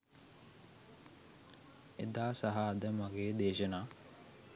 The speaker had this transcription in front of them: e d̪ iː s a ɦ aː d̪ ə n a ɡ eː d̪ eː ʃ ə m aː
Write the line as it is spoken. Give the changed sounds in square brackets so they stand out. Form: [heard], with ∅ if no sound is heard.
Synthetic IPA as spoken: e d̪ [aː] s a ɦ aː d̪ ə [m] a ɡ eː d̪ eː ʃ ə [n] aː

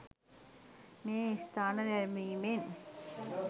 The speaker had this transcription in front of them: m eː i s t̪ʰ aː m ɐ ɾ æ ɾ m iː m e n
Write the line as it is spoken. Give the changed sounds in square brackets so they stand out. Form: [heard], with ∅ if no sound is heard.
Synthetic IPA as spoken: m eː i s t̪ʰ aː [n] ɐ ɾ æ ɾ m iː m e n

